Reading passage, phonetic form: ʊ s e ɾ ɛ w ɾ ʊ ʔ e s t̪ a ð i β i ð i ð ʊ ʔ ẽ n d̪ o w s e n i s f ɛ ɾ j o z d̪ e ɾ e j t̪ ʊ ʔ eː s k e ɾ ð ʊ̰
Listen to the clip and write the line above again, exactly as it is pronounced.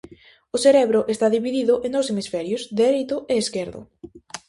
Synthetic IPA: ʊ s e ɾ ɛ β ɾ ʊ ʔ e s t̪ a ð i β i ð i ð ʊ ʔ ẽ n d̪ o w s e m i s f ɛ ɾ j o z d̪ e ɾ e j t̪ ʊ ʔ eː s k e ɾ ð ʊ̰